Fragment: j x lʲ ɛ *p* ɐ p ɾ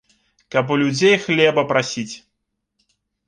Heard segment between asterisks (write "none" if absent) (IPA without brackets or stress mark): b